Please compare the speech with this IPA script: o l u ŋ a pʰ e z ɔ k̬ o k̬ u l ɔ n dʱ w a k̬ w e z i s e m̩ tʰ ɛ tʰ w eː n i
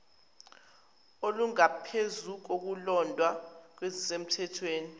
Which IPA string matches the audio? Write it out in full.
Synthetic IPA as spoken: o l u ŋ a pʰ e z u k̬ o k̬ u l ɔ n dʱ w a k̬ w e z i s e m̩ tʰ ɛ tʰ w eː n i